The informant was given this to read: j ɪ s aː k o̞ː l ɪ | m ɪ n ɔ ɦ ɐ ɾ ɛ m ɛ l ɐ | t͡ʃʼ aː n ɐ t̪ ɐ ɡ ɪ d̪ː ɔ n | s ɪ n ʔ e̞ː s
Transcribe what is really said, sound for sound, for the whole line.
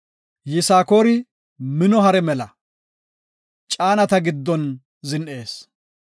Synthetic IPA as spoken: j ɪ s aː k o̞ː ɾ ɪ | m ɪ n ɔ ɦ ɐ ɾ ɛ m ɛ l ɐ | t͡ʃʼ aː n ɐ t̪ ɐ ɡ ɪ d̪ː ɔ n | z ɪ n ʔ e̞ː s